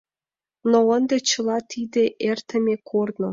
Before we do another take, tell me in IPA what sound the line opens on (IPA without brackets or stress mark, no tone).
n